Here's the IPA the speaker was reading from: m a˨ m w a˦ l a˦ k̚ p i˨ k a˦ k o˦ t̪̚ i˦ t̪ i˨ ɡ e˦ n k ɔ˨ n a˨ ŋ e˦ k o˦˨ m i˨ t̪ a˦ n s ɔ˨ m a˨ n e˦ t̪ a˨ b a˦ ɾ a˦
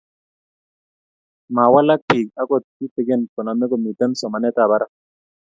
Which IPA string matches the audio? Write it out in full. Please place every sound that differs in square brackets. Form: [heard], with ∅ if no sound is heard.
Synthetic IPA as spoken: m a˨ [∅] w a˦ l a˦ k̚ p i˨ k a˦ k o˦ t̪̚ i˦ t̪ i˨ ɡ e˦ n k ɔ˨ n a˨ [m] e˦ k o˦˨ m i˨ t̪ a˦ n s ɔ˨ m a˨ n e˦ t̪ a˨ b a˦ ɾ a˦